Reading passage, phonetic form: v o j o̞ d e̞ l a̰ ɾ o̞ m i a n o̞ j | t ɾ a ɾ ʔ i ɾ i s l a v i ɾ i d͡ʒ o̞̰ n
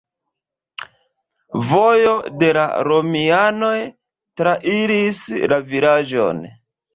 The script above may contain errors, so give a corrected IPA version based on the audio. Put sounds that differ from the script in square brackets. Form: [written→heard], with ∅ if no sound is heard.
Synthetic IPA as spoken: v o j o̞ d e̞ l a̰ ɾ o̞ m i a n o̞ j | t ɾ a [ɾ→∅] ʔ i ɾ i s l a v i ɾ [i→a] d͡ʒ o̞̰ n